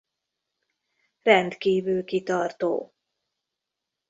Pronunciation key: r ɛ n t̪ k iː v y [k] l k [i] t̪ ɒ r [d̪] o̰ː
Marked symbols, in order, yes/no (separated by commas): no, yes, no